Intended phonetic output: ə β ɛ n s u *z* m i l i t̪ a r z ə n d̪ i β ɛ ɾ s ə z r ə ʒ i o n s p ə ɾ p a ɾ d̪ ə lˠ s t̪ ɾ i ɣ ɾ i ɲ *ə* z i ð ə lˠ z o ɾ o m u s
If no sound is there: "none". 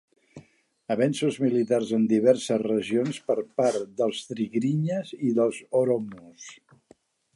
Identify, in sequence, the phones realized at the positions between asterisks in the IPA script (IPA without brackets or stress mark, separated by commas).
z, ə